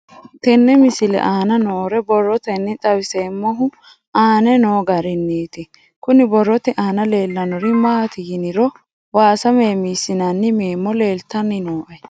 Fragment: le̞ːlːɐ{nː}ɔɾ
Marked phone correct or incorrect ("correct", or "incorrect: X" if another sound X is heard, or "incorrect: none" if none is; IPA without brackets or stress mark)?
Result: incorrect: n